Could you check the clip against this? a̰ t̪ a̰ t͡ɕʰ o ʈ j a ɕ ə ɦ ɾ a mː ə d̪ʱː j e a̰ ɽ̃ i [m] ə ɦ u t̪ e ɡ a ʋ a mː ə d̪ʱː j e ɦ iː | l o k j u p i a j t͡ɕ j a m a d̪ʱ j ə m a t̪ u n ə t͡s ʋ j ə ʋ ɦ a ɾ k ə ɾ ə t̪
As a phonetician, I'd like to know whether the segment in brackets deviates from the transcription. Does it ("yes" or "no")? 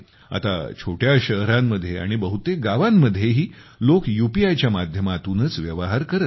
yes